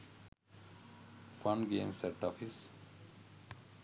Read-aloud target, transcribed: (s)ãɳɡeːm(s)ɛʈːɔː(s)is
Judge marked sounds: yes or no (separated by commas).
no, yes, no